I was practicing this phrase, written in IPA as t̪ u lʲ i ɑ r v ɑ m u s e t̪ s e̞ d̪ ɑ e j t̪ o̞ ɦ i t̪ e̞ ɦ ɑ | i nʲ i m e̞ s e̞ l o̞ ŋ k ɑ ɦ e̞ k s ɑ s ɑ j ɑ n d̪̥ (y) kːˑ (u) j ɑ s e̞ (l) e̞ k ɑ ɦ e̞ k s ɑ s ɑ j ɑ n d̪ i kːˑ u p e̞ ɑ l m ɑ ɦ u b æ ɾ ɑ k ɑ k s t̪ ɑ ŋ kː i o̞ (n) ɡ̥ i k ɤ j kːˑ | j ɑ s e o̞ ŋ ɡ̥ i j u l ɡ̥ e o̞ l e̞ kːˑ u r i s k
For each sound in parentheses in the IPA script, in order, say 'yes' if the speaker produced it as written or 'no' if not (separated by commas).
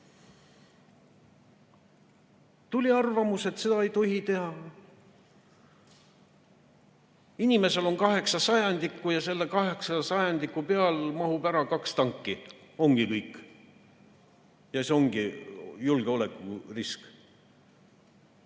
no, yes, no, no